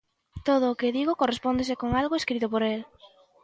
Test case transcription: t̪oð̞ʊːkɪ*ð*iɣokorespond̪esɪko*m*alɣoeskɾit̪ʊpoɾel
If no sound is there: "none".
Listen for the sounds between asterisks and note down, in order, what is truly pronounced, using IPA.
ð, ŋ

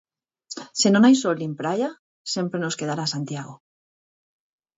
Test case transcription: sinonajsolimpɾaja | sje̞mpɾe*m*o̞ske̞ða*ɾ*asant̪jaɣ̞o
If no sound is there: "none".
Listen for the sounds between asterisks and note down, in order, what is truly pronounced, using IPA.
n, ɾ

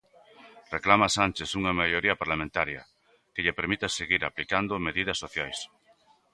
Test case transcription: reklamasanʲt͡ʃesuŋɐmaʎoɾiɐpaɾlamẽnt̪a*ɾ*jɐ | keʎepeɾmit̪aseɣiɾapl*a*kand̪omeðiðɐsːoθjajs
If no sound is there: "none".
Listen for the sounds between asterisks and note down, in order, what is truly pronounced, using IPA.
ɾ, i

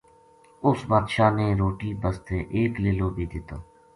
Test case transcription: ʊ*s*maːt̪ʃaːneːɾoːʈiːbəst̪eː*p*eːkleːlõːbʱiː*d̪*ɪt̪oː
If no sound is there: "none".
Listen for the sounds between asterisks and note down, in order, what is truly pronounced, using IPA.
s, ʔ, d̪

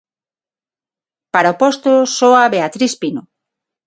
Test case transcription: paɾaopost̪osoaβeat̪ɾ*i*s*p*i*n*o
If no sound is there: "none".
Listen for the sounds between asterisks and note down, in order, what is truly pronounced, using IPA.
i, p, n

